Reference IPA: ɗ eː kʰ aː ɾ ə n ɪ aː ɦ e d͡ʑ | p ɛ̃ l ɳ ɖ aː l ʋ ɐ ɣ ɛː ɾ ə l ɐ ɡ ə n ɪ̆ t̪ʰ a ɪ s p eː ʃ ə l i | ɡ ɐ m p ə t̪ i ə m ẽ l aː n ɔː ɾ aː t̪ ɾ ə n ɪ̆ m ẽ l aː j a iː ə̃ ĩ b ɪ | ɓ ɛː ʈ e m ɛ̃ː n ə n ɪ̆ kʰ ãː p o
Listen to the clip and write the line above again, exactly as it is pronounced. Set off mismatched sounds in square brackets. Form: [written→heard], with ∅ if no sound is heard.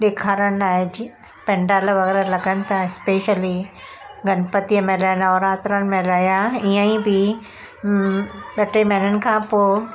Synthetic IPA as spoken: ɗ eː kʰ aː ɾ ə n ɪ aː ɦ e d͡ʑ | p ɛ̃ [l→∅] ɳ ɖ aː l ʋ ɐ ɣ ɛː ɾ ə l ɐ ɡ ə n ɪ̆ t̪ʰ a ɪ s p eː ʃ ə l i | ɡ ɐ [m→n] p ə t̪ i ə m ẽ l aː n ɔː ɾ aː t̪ ɾ ə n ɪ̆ m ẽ l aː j a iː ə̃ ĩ b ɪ | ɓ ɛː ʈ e m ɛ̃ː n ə n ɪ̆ kʰ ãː p o